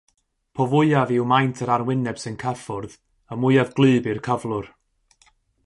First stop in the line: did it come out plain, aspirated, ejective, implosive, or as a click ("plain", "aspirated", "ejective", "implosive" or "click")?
aspirated